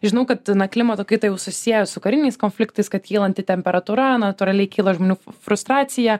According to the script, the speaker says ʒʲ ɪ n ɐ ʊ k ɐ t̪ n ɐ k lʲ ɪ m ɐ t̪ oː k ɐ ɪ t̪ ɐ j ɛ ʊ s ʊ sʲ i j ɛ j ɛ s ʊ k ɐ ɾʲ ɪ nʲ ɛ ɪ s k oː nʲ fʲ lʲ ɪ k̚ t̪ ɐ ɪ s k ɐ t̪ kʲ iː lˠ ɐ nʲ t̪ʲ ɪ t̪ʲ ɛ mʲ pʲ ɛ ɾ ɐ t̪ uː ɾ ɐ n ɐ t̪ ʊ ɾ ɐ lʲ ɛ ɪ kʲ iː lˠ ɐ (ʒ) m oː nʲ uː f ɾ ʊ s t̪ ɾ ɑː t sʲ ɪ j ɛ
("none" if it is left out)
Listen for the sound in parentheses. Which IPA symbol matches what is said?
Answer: ʒ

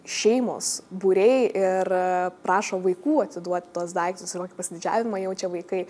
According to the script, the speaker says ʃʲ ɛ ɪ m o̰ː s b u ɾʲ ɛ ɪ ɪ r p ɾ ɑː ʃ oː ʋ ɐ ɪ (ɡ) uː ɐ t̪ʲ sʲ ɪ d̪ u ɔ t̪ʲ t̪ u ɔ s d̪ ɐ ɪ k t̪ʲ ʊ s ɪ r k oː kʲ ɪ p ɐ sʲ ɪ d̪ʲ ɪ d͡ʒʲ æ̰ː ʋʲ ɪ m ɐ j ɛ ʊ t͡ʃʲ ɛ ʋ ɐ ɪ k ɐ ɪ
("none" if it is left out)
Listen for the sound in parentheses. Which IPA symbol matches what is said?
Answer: k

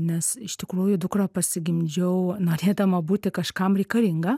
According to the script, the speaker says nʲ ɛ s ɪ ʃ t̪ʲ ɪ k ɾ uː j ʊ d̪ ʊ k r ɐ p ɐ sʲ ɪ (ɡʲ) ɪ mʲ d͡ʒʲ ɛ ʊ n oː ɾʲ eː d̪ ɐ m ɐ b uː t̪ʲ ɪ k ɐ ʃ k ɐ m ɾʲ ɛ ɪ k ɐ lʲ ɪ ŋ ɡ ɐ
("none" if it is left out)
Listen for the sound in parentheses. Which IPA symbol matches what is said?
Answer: ɡʲ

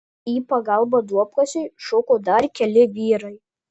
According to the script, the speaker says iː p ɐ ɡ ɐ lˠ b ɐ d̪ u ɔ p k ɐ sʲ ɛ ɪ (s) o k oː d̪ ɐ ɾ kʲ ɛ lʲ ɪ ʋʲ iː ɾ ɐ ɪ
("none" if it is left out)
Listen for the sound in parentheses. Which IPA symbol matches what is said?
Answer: ʃ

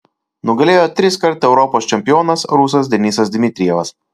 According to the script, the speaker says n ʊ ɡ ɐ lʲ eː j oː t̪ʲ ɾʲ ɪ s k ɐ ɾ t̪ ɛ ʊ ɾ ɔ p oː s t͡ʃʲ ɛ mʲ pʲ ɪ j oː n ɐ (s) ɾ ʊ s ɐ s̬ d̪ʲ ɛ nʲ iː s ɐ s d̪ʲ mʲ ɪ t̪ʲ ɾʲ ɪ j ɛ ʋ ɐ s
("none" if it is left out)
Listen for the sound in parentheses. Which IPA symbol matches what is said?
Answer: s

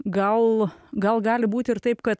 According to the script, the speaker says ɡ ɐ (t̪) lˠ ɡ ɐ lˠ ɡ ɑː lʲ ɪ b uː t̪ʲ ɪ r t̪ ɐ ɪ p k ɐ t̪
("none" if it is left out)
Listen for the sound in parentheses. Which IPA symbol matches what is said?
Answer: none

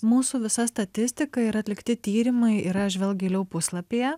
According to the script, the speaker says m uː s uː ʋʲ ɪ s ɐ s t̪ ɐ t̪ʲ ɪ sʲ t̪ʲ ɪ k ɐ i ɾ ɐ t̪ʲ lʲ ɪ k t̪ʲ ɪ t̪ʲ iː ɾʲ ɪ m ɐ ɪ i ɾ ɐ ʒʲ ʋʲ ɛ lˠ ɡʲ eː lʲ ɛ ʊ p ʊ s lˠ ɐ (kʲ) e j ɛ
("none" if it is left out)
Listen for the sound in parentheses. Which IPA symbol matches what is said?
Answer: pʲ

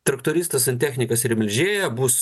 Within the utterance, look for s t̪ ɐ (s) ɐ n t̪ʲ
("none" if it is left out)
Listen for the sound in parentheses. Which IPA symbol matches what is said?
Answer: s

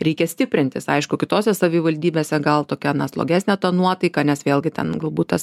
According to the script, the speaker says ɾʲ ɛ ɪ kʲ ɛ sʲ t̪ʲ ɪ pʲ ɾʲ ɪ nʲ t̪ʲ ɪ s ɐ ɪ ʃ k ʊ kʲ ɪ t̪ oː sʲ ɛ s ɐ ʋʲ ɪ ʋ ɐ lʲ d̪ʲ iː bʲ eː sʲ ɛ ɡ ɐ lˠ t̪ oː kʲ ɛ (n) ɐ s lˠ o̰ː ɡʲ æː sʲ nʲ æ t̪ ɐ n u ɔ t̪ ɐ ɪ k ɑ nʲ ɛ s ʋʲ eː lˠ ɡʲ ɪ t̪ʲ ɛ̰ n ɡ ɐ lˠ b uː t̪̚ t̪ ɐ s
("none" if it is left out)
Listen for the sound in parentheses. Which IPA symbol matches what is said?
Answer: n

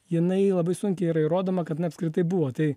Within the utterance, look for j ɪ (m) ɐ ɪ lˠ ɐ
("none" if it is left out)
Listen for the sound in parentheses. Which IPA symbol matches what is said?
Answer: n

